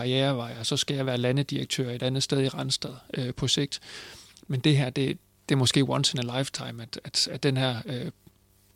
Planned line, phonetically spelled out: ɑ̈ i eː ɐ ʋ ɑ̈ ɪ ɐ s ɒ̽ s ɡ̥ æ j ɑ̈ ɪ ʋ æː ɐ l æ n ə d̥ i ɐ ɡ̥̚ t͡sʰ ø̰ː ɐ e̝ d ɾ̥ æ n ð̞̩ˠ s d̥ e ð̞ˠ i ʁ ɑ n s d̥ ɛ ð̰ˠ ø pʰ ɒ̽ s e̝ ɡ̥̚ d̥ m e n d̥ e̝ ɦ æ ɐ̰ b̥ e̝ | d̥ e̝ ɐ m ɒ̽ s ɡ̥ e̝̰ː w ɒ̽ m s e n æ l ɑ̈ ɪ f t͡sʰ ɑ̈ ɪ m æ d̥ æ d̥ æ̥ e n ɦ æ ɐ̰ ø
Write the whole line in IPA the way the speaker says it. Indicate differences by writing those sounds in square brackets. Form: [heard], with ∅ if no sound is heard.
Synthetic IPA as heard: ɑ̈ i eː ɐ ʋ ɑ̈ ɪ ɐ s ɒ̽ s ɡ̥ æ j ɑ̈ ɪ ʋ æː ɐ l æ n ə d̥ i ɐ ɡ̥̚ t͡sʰ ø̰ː ɐ e̝ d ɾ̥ æ n ð̞̩ˠ s d̥ e ð̞ˠ i ʁ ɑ n s d̥ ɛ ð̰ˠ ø pʰ ɒ̽ s e̝ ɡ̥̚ d̥ m e n d̥ e̝ ɦ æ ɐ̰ [d̥] e̝ | d̥ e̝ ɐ m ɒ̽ s ɡ̥ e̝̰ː w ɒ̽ [n] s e n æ l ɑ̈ ɪ f t͡sʰ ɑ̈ ɪ m æ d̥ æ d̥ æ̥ e n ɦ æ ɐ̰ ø